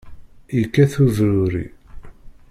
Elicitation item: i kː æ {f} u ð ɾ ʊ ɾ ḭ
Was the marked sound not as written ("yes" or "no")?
yes